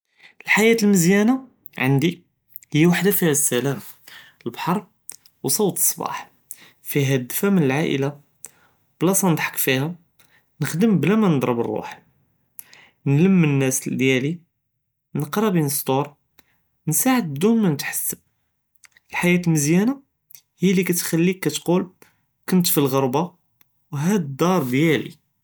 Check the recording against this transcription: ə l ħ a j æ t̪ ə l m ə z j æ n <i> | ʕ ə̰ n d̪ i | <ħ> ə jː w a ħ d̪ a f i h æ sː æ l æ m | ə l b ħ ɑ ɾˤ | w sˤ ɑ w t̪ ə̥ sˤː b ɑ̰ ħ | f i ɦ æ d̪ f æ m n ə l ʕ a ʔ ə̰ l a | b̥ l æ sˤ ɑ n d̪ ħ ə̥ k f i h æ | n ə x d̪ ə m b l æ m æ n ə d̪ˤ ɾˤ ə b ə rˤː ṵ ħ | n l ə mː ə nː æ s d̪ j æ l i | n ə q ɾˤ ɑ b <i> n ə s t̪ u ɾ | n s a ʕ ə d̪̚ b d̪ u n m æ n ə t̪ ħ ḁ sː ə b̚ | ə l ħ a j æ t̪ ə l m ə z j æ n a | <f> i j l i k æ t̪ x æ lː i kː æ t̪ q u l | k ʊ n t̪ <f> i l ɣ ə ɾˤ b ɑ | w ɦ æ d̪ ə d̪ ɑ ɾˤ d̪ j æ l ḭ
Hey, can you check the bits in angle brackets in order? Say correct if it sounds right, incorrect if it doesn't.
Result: incorrect, incorrect, correct, incorrect, correct

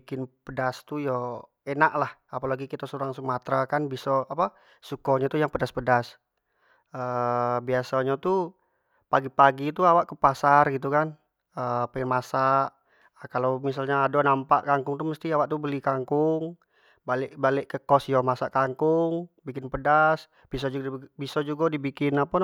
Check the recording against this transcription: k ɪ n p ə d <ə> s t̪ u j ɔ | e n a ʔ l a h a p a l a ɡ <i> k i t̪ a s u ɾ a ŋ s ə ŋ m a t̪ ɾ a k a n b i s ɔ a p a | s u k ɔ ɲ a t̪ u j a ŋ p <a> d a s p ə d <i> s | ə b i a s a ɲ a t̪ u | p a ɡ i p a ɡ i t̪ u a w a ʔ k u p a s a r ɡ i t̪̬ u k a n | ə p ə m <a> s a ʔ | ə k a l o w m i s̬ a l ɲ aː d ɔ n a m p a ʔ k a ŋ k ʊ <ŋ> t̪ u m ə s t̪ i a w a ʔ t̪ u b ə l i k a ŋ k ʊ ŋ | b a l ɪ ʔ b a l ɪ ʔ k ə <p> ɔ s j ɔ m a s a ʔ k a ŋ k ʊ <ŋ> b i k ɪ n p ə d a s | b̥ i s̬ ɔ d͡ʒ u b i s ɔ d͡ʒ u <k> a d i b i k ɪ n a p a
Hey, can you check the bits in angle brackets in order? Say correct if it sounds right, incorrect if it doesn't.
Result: incorrect, correct, incorrect, incorrect, correct, correct, incorrect, correct, incorrect

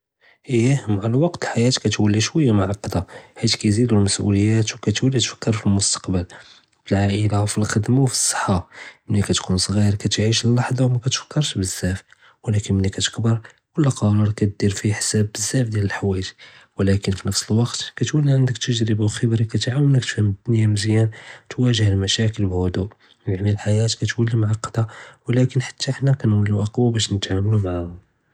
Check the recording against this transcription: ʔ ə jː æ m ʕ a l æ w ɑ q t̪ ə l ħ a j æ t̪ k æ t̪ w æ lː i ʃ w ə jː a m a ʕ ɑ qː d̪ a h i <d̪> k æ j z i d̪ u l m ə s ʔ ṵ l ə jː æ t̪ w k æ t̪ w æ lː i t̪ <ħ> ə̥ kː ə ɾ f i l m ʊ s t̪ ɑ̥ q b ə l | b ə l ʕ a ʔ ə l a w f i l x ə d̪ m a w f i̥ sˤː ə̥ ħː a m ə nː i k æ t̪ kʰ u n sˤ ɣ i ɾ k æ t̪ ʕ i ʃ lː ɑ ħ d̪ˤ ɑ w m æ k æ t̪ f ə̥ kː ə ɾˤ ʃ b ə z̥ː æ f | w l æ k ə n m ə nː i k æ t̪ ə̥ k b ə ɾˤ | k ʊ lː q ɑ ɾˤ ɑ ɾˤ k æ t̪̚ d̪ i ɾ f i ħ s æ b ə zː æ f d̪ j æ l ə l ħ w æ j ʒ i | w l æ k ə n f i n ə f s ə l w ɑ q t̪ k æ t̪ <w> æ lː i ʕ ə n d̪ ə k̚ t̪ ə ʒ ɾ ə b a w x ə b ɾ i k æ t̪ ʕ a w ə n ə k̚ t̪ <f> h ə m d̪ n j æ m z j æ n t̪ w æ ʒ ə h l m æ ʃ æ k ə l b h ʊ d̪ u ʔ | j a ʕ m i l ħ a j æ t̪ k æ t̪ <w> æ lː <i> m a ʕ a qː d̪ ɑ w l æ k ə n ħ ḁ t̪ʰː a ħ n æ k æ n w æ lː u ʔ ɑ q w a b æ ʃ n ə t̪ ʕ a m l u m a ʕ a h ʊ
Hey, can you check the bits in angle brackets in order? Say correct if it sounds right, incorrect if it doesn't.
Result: incorrect, incorrect, correct, correct, correct, correct

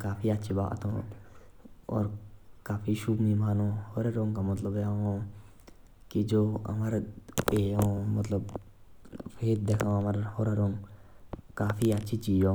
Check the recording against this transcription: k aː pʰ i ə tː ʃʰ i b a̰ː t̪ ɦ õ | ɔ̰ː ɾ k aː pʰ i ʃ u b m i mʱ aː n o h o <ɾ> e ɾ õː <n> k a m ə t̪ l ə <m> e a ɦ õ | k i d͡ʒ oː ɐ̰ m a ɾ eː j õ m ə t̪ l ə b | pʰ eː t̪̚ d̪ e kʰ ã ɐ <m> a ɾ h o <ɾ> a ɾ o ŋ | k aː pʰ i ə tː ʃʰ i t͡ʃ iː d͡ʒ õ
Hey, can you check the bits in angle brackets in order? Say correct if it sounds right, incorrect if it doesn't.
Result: correct, incorrect, incorrect, correct, correct

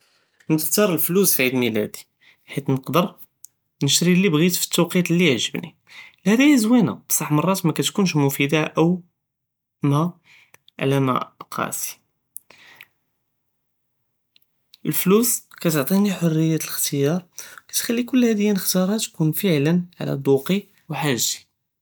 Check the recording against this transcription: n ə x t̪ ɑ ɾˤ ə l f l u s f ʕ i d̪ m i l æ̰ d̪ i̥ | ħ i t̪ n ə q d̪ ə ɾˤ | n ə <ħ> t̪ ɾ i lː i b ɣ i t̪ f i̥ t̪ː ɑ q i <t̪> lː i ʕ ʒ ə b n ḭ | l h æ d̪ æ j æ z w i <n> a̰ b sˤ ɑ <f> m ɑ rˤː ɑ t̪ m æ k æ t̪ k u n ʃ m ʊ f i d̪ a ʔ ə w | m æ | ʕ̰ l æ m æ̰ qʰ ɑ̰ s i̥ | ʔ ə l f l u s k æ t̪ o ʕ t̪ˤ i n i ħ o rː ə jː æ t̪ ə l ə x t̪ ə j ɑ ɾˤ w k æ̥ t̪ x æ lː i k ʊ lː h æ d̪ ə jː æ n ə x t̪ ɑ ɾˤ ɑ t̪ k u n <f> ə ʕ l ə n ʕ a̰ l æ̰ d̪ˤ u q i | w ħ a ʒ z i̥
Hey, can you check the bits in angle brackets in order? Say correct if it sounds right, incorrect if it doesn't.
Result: incorrect, correct, correct, incorrect, correct

